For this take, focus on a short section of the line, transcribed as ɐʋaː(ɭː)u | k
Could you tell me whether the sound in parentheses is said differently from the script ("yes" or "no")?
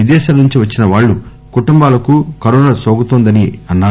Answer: no